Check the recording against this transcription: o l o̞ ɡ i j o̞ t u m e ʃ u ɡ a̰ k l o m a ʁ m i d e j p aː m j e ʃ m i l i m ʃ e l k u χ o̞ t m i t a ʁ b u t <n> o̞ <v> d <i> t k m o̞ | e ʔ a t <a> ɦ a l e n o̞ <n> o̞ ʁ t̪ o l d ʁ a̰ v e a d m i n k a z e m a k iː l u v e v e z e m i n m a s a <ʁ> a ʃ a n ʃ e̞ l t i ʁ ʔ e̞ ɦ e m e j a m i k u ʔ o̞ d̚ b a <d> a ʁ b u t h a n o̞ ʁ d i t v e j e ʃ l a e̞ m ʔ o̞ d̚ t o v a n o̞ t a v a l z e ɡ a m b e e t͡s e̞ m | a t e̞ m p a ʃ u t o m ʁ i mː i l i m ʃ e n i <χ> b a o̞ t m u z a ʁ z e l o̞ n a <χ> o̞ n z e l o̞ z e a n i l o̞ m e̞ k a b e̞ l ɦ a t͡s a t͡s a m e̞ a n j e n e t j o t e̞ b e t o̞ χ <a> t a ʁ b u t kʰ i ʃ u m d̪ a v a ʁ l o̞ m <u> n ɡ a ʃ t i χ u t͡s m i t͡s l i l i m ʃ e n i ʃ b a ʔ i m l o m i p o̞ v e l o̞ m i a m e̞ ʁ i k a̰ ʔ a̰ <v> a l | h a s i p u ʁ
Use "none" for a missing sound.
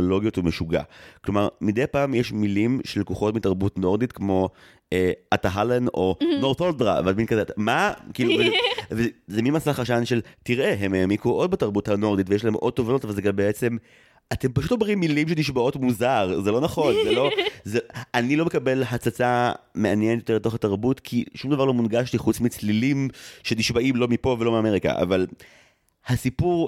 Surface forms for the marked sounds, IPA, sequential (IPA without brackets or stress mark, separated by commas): n, ʁ, i, a, n, χ, t, ʃ, χ, a, u, v